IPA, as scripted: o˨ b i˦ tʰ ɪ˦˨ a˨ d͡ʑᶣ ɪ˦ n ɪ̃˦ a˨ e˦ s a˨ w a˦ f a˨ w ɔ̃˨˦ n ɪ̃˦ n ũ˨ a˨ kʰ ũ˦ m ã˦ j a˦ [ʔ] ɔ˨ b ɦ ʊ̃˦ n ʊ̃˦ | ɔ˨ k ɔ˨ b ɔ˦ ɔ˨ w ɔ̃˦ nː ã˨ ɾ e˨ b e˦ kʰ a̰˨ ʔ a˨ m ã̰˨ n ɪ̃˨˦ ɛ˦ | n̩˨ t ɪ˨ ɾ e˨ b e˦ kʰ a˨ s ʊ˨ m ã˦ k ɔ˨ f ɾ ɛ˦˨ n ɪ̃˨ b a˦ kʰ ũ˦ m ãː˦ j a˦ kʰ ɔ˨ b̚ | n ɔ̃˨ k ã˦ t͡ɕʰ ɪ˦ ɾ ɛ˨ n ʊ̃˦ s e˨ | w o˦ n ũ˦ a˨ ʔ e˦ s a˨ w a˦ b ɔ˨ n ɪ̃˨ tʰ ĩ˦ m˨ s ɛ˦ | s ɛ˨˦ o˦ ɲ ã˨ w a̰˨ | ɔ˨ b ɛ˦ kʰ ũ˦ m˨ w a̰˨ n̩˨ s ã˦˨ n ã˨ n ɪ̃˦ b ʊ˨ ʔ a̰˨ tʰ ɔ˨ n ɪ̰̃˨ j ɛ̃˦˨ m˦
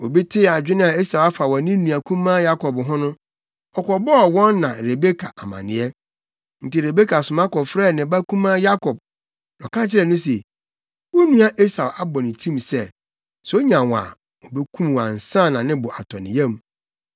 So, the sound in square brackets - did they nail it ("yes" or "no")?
no